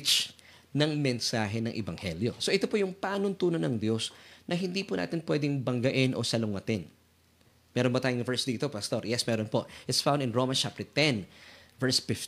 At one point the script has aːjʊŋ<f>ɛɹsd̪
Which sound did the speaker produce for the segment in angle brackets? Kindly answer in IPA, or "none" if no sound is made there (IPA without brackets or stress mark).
v